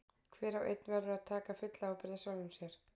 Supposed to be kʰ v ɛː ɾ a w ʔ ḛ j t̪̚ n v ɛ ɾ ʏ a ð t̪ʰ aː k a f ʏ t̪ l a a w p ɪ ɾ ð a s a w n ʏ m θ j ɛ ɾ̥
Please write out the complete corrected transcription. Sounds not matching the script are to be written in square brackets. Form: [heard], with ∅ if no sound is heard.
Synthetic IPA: kʰ v ɛː ɾ a w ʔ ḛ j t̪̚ n v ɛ ɾ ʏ a ð t̪ʰ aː k a f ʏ t̪ l a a w p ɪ ɾ ð a s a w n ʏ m [s] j ɛ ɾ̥